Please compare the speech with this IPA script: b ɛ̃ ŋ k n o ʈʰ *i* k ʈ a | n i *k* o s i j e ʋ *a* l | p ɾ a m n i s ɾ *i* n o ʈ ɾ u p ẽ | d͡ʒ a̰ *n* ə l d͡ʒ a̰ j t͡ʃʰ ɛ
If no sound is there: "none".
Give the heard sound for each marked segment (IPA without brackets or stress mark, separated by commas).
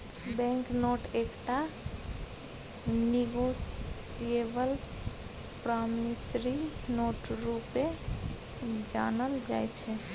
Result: e, ɡ, ə, i, n